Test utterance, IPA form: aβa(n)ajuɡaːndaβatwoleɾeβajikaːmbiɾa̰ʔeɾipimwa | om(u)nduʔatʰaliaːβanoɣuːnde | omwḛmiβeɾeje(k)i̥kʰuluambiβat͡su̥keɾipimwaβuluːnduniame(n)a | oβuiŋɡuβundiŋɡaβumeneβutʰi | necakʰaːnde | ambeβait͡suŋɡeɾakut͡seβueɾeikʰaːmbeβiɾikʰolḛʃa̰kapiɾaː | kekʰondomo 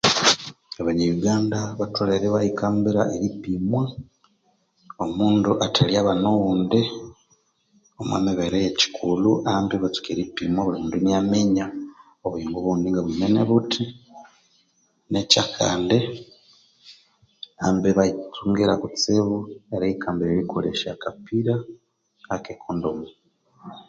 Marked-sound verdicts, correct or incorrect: incorrect, incorrect, incorrect, incorrect

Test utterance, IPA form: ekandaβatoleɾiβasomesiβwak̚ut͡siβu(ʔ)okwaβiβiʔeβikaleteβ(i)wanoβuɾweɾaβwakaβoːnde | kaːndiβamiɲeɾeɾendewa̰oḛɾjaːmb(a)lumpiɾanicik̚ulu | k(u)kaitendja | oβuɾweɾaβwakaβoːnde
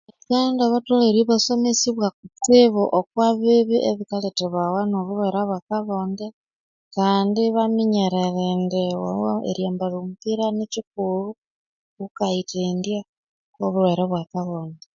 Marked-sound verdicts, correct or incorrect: correct, incorrect, correct, correct

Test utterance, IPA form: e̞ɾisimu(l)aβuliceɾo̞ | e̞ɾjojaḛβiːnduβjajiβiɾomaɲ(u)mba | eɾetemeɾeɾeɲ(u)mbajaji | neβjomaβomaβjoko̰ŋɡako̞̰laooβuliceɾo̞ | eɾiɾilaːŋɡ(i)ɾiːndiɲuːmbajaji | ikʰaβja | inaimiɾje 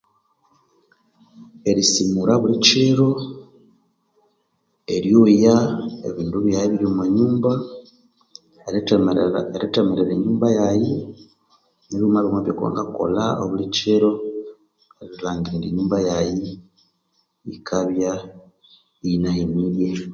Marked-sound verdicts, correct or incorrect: incorrect, incorrect, incorrect, correct

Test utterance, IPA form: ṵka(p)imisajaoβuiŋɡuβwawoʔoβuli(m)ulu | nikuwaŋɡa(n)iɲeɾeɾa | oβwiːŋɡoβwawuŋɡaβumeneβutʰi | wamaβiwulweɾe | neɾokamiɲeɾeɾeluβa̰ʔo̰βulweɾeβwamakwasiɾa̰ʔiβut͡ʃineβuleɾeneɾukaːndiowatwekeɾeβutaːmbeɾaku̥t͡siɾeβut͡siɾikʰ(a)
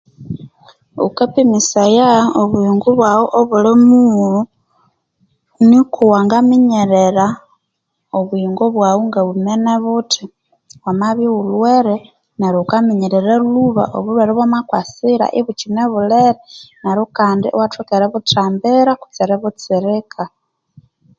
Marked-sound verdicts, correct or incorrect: correct, correct, incorrect, correct

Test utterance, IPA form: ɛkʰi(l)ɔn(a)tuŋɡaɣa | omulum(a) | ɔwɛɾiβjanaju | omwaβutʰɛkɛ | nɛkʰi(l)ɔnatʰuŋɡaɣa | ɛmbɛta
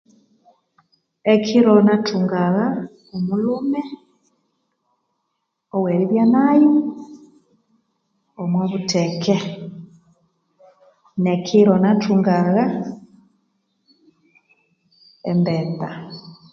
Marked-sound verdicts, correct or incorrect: incorrect, correct, incorrect, incorrect

